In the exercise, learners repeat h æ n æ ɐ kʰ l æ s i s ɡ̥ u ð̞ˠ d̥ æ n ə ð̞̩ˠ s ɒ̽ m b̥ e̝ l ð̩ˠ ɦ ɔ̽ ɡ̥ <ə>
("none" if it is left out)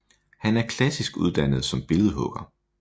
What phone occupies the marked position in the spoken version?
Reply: ɐ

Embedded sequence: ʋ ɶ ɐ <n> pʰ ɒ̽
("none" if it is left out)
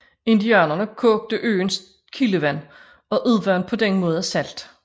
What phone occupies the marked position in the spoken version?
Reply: n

